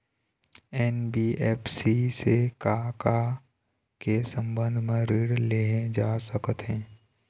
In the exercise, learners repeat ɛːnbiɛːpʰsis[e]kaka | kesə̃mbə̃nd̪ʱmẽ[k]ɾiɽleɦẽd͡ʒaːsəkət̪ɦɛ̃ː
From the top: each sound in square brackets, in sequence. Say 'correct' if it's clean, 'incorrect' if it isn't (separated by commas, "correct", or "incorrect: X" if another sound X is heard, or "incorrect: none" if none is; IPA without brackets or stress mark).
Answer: correct, incorrect: none